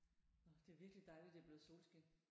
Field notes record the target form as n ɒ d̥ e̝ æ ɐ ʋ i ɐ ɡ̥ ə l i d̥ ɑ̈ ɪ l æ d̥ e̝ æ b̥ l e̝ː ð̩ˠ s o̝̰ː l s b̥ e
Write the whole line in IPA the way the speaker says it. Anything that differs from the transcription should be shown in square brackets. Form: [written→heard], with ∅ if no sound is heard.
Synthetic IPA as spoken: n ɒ d̥ e̝ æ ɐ ʋ i ɐ ɡ̥ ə l i d̥ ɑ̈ ɪ l [æ→i] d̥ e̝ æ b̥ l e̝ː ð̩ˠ s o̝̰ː l s [b̥→ɡ̥] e